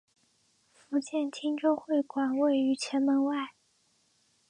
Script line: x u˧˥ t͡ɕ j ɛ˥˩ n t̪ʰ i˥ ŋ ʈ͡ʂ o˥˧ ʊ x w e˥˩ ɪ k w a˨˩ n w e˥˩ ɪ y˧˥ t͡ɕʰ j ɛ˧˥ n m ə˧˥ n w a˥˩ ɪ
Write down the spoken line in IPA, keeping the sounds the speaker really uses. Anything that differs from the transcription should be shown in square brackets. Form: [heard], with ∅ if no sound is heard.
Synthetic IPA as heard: [f] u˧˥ t͡ɕ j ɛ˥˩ n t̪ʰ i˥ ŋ ʈ͡ʂ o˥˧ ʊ x w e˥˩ ɪ k w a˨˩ n w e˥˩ ɪ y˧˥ t͡ɕʰ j ɛ˧˥ n m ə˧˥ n w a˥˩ ɪ